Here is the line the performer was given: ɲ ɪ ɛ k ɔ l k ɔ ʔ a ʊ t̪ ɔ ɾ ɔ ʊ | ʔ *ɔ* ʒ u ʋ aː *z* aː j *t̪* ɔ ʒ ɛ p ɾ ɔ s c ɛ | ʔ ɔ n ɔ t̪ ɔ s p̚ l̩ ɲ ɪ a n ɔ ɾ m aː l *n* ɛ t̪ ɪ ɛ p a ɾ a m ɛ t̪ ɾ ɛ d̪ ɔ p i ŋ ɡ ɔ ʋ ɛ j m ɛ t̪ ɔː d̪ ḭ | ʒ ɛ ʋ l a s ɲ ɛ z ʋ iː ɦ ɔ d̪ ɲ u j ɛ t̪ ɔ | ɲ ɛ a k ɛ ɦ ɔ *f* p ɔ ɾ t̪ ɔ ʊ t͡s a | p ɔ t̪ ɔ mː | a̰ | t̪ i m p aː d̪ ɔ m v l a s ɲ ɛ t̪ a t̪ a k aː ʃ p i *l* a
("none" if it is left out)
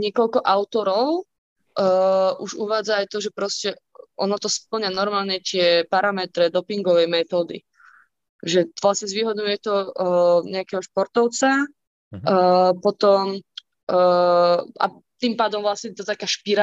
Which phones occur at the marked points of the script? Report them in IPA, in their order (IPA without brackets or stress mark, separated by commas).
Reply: u, d͡z, t̪, ɲ, ʃ, ɾ